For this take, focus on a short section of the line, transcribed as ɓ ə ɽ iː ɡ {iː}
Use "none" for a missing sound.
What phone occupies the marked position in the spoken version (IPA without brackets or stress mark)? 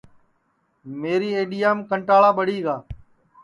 aː